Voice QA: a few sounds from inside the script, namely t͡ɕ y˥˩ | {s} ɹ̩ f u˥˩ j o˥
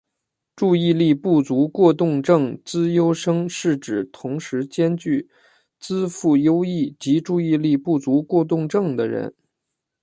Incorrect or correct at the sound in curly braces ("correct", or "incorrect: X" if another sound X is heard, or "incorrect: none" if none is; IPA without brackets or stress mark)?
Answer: incorrect: t͡s